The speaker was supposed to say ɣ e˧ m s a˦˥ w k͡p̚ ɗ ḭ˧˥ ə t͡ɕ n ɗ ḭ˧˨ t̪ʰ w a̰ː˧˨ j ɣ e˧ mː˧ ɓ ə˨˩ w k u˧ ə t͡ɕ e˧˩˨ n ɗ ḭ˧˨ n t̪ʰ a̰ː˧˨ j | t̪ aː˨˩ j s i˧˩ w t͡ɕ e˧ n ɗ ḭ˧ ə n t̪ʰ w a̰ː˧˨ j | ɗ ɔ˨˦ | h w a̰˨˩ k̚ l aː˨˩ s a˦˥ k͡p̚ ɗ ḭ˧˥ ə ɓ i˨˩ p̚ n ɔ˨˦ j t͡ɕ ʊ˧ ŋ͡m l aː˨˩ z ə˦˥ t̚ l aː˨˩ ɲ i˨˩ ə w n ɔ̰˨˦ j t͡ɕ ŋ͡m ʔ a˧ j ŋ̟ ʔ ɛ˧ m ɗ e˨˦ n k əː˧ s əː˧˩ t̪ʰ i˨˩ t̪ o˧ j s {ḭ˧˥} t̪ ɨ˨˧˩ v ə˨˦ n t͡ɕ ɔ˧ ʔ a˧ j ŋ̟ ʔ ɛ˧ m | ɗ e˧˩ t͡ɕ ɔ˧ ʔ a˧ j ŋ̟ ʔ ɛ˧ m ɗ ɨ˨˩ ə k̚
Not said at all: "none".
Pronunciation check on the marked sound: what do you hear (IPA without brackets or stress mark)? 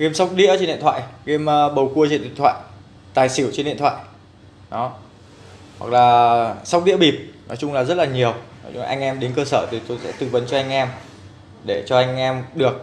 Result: ɛ̰˧˥